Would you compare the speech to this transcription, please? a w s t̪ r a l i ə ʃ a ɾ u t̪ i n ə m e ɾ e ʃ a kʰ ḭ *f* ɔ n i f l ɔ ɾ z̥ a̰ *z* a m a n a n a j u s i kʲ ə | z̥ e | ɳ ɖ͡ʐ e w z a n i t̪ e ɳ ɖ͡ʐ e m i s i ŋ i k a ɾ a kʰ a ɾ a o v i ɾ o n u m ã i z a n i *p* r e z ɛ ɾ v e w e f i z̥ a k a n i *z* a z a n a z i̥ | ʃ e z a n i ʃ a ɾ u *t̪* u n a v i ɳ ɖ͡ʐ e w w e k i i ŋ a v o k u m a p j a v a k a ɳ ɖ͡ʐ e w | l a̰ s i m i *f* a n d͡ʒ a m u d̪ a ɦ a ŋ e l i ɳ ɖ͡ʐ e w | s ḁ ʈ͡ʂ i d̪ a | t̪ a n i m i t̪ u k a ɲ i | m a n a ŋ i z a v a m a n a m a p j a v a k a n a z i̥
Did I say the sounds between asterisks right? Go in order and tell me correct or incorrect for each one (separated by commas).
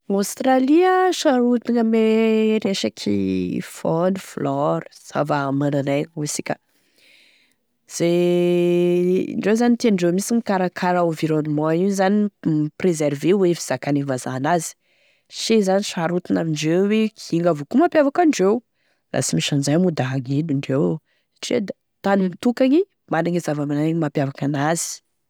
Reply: correct, incorrect, correct, incorrect, correct, incorrect